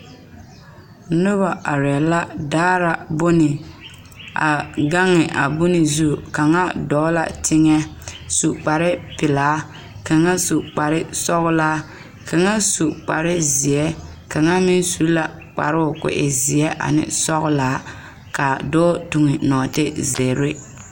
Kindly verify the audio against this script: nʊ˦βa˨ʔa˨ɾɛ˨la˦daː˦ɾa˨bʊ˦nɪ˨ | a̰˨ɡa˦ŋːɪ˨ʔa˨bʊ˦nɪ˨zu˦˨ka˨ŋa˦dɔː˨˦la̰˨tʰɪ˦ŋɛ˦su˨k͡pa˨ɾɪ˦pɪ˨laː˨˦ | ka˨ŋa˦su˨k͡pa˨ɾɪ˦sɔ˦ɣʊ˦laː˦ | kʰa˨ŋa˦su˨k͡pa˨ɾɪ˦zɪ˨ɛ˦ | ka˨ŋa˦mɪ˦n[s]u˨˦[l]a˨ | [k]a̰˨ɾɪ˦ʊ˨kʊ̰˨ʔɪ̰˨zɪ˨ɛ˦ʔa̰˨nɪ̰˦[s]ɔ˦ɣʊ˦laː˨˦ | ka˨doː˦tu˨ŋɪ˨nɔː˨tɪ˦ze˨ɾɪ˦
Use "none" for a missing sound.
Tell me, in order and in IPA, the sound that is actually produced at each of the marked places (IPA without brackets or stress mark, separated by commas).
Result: s, l, k͡p, s